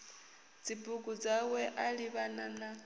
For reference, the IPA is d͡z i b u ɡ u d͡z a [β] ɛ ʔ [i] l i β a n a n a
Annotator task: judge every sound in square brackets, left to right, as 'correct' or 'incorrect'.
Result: incorrect: w, incorrect: a

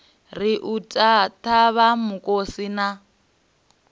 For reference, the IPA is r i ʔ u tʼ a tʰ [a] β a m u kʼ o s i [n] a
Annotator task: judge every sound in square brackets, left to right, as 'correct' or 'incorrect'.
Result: correct, correct

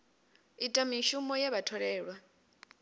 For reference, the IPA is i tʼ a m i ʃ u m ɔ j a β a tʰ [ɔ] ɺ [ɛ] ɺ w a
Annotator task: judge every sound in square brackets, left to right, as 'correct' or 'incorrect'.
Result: correct, incorrect: ɛː

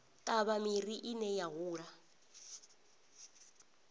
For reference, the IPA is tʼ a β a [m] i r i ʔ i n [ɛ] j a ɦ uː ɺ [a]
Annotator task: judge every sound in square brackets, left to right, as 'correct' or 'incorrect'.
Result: correct, correct, correct

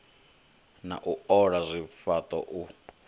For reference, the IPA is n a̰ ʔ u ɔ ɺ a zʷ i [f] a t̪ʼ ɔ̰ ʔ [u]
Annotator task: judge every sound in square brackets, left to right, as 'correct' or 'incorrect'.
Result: correct, correct

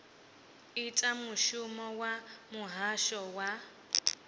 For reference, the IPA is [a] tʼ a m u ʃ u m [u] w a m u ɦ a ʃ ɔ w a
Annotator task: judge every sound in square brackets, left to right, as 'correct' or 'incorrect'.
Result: incorrect: i, incorrect: ɔ

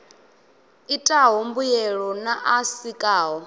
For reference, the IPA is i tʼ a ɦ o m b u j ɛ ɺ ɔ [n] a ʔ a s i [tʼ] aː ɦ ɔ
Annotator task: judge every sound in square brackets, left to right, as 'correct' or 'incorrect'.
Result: correct, incorrect: kʼ

